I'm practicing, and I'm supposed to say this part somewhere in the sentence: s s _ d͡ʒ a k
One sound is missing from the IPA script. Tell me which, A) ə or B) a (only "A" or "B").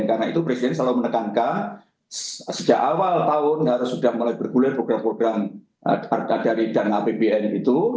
A